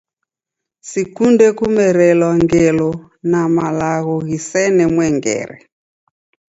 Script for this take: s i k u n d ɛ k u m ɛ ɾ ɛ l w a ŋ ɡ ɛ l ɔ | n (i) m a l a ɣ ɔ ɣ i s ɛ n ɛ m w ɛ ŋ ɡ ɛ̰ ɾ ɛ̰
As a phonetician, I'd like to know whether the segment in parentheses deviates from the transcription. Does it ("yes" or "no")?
yes